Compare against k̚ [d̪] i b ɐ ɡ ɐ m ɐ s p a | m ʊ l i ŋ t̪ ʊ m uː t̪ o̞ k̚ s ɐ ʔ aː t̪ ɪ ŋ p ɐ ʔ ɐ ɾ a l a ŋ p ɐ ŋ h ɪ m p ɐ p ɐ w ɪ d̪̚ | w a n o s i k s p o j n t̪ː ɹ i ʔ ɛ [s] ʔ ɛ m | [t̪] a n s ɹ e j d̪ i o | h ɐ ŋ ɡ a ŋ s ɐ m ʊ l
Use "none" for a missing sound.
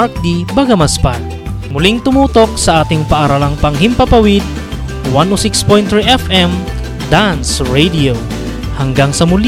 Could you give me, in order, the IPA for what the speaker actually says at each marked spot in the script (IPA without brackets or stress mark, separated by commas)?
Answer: d̪, f, d̪